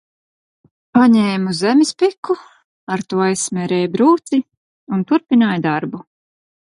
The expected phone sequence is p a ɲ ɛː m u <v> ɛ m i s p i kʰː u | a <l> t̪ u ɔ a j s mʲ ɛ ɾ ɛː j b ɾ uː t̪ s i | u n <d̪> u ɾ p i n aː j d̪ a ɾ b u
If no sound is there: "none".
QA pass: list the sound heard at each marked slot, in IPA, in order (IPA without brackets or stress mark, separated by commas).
z, ɾ, t̪